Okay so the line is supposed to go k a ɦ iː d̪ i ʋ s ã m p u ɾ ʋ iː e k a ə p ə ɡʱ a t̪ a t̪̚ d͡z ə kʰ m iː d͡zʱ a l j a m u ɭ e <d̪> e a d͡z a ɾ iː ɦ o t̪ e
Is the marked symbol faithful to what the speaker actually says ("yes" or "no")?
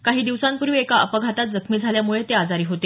no